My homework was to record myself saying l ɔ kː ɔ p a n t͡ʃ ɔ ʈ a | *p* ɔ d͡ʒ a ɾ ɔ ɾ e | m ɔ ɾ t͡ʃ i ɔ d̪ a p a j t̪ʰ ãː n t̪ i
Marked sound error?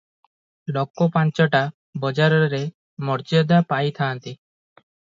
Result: yes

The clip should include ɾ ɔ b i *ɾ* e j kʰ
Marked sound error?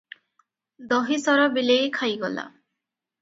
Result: yes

